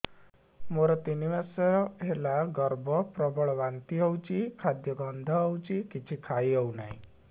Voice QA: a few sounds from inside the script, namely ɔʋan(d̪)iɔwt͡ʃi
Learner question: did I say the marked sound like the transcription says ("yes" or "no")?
no